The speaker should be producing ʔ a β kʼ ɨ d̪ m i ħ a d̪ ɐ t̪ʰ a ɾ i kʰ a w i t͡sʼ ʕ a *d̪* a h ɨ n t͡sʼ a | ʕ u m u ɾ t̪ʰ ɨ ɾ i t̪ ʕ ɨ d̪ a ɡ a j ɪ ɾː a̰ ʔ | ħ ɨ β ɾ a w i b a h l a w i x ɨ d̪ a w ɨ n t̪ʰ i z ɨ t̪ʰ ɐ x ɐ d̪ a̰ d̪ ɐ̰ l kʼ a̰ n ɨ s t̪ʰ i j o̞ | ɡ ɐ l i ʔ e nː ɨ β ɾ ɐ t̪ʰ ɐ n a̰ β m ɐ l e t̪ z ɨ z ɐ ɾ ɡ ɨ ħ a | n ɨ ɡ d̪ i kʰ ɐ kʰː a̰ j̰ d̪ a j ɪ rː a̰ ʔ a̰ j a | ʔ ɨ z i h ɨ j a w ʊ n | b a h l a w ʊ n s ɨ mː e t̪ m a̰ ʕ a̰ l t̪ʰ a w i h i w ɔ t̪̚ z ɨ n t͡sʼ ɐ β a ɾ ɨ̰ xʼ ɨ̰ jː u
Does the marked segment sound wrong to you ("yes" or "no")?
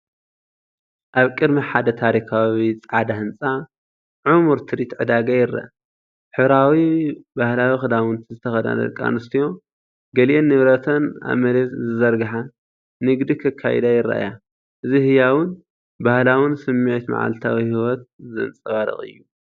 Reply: no